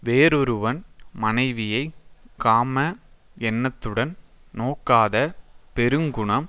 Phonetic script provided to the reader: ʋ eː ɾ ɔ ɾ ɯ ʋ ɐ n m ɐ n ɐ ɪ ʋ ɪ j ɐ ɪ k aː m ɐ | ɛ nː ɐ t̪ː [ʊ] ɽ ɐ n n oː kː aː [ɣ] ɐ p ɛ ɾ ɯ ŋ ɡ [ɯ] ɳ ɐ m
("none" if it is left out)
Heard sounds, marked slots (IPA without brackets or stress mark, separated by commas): ɯ, ð, ʊ